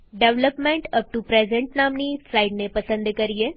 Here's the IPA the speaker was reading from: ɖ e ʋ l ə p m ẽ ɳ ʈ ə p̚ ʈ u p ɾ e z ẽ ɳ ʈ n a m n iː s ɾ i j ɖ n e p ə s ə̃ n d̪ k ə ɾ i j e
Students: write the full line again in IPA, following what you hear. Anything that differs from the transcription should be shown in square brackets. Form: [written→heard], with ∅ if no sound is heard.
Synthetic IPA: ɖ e ʋ l ə p m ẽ ɳ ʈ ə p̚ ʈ u p ɾ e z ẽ ɳ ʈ n a m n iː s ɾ [i→a] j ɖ n e p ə s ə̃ n d̪ k ə ɾ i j e